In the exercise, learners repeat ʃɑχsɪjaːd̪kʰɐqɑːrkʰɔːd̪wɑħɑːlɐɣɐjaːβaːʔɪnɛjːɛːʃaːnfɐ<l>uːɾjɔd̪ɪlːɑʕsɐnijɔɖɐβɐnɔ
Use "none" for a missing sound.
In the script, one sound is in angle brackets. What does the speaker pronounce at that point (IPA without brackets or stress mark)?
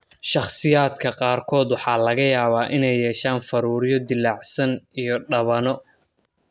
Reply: ɾ